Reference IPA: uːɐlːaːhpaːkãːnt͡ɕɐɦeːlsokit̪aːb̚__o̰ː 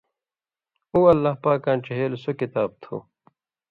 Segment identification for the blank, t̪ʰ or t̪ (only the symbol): t̪ʰ